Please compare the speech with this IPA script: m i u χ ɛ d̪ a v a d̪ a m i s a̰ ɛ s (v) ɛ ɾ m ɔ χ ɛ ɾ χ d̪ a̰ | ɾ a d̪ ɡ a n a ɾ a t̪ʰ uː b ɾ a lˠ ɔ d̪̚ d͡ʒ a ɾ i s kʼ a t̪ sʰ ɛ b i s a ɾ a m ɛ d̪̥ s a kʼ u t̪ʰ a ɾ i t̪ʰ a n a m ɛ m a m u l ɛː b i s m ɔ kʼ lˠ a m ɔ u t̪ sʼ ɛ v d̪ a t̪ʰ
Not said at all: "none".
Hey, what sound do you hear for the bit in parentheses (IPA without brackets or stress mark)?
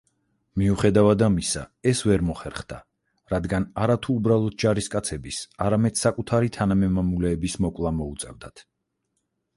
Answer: v